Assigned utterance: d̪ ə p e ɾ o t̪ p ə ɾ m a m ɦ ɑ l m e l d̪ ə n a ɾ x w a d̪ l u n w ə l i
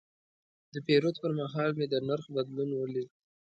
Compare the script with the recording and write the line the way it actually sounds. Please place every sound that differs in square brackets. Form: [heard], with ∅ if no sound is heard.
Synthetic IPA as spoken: d̪ ə p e ɾ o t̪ p ə ɾ m a [∅] ɦ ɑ l m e [∅] d̪ ə n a ɾ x [b] a d̪ l u n w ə l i